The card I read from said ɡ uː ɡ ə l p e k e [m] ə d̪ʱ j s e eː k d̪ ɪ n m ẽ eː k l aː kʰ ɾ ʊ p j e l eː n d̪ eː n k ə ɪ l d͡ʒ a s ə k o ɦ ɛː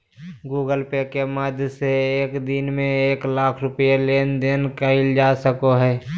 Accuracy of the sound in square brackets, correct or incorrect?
correct